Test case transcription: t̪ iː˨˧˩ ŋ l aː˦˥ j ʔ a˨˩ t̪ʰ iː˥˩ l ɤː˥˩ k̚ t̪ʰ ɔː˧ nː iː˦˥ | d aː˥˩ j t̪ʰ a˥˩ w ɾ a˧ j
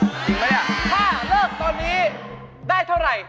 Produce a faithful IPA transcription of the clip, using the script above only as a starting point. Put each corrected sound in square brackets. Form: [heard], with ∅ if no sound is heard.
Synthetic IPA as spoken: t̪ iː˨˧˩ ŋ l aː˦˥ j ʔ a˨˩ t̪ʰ [aː˥˩] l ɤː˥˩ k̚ [t̪] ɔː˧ nː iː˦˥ | d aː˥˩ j t̪ʰ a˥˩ w ɾ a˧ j